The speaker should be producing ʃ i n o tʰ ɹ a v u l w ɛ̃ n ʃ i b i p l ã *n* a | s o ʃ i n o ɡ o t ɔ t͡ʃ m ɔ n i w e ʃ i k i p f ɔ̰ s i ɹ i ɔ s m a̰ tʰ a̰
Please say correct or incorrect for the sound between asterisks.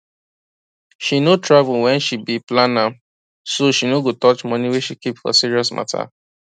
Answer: correct